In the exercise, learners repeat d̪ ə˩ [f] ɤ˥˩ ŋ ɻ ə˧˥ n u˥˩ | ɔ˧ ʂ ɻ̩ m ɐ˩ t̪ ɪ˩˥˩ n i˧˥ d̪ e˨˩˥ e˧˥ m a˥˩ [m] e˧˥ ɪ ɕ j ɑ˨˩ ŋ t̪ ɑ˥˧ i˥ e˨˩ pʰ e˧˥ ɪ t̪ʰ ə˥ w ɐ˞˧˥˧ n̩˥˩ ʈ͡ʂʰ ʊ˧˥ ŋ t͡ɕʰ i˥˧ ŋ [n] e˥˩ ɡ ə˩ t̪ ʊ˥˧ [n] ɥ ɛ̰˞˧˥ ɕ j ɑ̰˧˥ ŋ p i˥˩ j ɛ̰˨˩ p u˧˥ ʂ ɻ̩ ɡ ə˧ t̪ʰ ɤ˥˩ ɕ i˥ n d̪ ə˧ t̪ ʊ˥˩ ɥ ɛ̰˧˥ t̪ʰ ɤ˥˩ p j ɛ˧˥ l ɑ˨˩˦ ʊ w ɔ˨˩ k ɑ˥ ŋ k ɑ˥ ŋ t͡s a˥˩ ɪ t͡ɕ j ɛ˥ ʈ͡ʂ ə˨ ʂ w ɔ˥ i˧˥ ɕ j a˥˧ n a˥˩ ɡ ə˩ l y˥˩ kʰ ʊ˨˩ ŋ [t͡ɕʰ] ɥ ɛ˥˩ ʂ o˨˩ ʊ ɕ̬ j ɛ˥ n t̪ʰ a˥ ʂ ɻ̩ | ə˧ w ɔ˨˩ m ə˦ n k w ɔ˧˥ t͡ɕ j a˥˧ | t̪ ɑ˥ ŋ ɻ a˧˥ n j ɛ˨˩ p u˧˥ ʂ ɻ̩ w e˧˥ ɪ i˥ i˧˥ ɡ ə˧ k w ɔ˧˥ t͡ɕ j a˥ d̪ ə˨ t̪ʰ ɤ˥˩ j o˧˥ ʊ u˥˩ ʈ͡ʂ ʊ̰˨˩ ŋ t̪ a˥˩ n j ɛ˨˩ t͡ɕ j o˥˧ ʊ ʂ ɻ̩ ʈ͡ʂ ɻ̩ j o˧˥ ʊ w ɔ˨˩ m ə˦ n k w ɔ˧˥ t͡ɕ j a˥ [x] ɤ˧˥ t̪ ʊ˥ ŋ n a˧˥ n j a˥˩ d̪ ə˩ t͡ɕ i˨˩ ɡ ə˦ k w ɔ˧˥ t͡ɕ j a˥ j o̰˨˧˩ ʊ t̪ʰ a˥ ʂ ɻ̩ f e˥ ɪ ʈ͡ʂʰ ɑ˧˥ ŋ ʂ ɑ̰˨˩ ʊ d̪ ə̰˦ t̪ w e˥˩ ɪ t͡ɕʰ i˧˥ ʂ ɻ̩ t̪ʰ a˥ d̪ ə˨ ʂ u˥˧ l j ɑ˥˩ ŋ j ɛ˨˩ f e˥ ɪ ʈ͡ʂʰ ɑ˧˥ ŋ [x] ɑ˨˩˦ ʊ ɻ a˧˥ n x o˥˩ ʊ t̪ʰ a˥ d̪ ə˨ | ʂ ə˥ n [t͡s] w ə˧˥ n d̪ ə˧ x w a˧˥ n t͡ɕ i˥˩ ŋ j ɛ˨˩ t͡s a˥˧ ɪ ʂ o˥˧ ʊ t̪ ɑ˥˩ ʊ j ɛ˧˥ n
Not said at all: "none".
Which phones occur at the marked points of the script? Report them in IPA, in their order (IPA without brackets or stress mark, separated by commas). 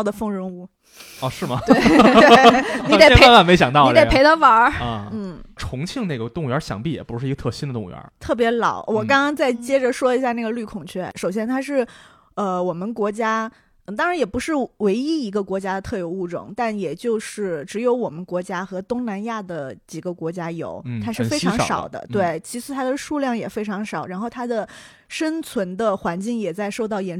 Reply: f, m, n, ŋ, t͡ɕʰ, x, ʂ, t͡sʰ